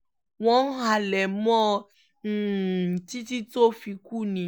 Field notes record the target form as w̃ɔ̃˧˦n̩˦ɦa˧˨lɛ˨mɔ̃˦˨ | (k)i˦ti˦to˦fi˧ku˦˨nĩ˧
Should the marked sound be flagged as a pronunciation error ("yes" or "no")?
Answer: yes